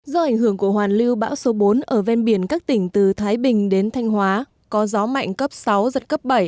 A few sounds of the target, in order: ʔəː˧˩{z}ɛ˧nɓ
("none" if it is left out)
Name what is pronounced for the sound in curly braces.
v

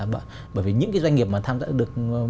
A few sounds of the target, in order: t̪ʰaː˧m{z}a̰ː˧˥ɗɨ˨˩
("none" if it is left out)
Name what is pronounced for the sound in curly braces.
z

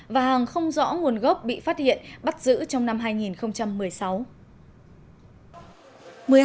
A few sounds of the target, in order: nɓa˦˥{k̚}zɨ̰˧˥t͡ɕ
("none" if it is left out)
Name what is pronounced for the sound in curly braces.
t̚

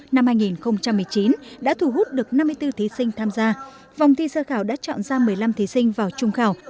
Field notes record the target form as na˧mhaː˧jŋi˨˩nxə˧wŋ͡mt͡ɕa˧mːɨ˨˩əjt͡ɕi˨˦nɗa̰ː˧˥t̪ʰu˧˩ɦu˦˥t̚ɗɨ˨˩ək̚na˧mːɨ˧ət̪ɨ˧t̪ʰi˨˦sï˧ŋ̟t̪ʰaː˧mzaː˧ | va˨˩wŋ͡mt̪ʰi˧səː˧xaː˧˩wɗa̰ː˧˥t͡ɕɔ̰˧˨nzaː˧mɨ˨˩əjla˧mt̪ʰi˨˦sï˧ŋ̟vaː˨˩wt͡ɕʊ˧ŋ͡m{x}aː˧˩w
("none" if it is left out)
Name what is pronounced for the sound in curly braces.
x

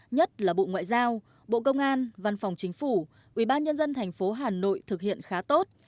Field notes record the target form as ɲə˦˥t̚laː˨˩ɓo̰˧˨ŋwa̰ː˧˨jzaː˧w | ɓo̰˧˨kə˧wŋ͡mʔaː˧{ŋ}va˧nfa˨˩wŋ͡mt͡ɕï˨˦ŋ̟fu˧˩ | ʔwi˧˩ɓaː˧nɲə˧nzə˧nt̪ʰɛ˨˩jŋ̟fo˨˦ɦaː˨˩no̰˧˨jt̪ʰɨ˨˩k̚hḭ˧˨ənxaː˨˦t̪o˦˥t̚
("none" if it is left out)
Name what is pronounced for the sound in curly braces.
n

